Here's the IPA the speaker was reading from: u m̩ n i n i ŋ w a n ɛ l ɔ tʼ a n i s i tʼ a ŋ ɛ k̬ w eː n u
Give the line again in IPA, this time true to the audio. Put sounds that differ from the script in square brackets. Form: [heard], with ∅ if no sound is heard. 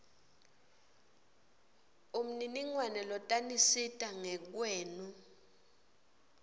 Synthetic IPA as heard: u m̩ n i n i ŋ w a n ɛ l ɔ tʼ a n i s i tʼ a ŋ ɛ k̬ w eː n u